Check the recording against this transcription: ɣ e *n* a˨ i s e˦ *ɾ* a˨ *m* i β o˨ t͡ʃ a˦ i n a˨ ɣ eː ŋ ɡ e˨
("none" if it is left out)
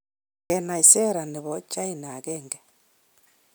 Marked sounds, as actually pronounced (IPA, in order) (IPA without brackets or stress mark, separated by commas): n, ɾ, n